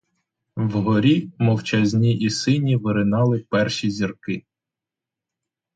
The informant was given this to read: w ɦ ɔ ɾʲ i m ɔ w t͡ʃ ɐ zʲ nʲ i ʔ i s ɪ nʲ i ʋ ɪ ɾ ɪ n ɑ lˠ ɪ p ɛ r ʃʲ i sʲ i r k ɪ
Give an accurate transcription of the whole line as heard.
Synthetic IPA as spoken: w ɦ ɔ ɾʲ i m ɔ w t͡ʃ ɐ zʲ nʲ i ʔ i s ɪ nʲ i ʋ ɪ ɾ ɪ n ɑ lˠ ɪ p ɛ r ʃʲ i zʲ i r k ɪ